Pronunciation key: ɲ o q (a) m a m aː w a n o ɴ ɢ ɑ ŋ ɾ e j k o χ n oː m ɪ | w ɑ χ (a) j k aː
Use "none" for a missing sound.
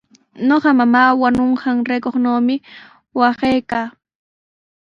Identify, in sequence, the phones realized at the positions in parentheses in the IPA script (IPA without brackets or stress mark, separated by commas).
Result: ɑ, e